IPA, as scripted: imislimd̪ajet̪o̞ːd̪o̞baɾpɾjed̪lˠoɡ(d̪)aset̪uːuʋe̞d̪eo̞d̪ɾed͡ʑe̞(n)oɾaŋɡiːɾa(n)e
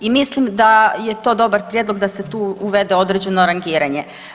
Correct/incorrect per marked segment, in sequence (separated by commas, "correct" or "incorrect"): correct, correct, incorrect